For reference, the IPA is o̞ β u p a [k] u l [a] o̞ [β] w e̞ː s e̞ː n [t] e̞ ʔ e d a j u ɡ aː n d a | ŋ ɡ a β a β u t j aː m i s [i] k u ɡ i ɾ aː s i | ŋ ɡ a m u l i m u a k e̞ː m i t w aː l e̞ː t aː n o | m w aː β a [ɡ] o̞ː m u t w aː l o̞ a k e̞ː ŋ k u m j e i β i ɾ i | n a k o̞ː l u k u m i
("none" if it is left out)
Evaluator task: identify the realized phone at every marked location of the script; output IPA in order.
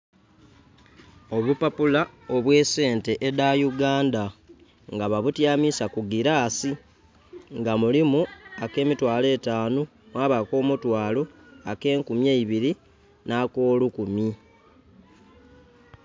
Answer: p, a, β, t, a, k

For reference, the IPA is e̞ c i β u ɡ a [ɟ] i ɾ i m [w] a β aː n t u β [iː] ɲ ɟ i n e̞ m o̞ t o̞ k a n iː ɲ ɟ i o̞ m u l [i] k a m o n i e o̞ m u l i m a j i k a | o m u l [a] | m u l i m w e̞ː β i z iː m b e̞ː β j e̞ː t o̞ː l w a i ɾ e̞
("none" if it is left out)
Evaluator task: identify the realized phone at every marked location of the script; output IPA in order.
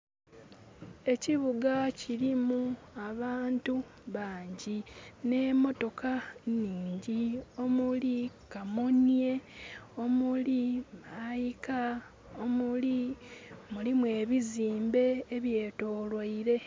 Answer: c, u, aː, i, i

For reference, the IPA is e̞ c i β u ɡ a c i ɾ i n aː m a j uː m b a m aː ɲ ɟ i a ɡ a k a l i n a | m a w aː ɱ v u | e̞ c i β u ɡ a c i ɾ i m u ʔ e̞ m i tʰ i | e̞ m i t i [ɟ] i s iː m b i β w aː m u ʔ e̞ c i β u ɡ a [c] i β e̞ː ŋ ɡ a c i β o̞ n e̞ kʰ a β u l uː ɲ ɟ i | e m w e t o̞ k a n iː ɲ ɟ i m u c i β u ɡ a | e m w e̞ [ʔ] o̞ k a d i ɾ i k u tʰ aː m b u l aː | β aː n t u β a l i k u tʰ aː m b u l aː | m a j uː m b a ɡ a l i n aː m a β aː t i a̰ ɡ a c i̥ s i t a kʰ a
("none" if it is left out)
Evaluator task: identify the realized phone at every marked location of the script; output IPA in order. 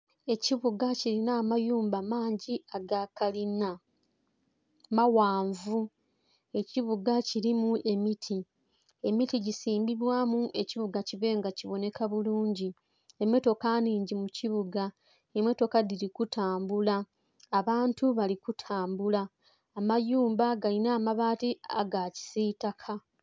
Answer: ɟ, c, t

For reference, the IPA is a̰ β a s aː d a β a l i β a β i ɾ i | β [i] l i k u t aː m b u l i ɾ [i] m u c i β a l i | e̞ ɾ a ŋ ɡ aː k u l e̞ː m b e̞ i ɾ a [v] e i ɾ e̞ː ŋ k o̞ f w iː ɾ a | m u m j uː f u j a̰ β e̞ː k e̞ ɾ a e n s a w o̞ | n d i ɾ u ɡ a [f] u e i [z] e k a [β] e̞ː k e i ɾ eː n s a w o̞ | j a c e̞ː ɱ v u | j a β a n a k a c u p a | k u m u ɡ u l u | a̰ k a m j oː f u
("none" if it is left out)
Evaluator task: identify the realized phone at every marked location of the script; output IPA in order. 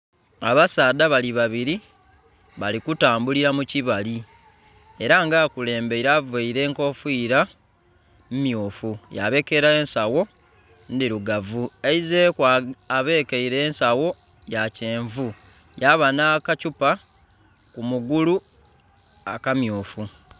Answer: a, a, v, v, z, β

